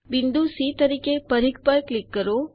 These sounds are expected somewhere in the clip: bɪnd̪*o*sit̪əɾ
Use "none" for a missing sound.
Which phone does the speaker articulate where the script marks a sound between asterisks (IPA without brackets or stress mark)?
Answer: u